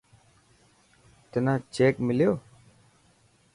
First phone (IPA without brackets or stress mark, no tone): t̪